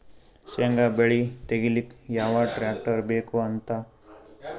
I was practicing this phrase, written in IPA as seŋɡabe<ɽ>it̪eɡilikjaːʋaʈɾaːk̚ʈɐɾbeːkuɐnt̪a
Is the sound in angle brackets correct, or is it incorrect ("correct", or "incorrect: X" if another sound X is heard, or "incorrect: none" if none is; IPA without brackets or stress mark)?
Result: incorrect: ɭ